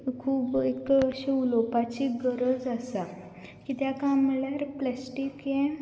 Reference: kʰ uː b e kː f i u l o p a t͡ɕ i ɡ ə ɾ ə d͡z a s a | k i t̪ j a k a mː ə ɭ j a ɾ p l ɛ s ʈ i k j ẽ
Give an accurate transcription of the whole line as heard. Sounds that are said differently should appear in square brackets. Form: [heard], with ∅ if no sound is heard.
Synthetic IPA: kʰ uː b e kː [ɕ] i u l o p a t͡ɕ i ɡ ə ɾ ə d͡z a s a | k i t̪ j a k a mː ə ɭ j a ɾ p l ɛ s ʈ i k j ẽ